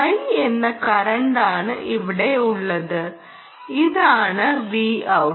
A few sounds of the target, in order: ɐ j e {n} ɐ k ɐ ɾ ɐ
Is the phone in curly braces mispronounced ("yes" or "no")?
yes